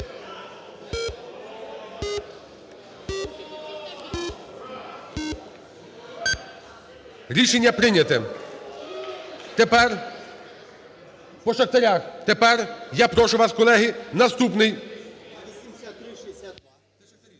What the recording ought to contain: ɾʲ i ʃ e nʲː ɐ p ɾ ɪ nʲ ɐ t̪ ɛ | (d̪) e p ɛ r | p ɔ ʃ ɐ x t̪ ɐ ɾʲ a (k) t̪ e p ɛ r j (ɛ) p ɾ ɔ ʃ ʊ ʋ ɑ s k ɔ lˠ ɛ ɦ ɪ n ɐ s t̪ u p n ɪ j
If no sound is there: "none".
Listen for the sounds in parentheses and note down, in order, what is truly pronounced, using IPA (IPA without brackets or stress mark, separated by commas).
t̪, x, a